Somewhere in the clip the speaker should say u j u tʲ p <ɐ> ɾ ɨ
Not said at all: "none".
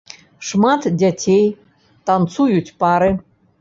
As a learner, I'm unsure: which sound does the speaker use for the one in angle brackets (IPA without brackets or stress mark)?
ɑ